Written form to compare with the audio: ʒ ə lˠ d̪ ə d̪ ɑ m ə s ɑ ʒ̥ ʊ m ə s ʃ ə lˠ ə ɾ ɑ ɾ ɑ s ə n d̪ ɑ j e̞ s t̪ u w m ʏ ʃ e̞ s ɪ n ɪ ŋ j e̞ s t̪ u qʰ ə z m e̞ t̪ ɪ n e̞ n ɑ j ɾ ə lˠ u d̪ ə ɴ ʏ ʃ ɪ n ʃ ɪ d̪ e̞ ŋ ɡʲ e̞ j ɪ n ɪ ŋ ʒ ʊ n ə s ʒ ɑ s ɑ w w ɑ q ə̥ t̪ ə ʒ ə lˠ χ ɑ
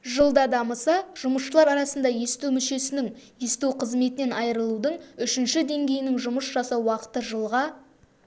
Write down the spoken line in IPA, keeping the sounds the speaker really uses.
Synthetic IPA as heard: ʒ ə lˠ d̪ ɑ d̪ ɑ m ə s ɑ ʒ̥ ʊ m ə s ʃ ə lˠ ɑ ɾ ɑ ɾ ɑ s ə n d̪ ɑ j e̞ s t̪ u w m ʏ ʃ e̞ s ɪ n ɪ ŋ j e̞ s t̪ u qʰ ə z m e̞ t̪ ɪ n e̞ n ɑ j ɾ ə lˠ u d̪ ə ɴ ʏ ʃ ɪ n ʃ ɪ d̪ e̞ ŋ ɡʲ e̞ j ɪ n ɪ ŋ ʒ ʊ m ə s ʒ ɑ s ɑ w w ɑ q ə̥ t̪ ə ʒ ə lˠ ʁ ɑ